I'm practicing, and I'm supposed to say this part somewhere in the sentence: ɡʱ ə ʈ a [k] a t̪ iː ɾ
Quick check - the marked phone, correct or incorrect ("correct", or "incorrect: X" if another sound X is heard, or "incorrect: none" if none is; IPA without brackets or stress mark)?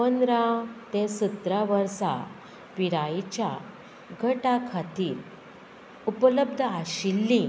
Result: incorrect: kʰ